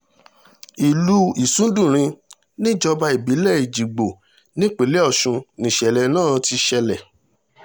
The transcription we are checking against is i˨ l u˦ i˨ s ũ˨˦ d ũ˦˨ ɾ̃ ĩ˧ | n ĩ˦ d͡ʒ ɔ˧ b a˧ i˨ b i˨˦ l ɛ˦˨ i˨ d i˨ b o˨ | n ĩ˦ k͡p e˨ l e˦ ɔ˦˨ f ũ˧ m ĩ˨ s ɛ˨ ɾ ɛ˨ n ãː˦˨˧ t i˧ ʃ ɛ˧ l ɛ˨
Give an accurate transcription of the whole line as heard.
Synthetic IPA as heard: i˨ l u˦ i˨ s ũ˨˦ d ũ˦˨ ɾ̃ ĩ˧ | n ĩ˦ d͡ʒ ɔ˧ b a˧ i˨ b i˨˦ l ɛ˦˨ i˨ d͡ʒ i˨ ɡ͡b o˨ | n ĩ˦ k͡p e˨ l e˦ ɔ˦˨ ʃ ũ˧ n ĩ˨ ʃ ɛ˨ l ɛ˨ n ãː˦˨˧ t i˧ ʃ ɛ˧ l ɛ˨